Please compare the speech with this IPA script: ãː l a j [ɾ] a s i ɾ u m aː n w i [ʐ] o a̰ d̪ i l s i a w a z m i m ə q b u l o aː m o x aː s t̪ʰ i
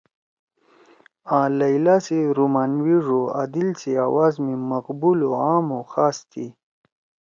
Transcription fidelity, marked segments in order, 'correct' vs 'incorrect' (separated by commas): incorrect, correct